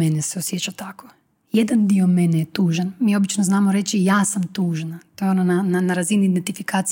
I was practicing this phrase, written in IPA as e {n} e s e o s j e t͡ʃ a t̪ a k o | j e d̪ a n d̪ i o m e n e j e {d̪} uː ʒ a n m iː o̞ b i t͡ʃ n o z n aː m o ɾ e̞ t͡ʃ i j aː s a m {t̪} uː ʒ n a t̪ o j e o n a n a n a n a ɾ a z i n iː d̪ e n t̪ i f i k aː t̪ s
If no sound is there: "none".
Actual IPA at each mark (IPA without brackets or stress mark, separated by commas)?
n, t̪, t̪